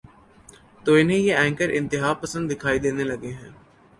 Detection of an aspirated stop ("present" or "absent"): present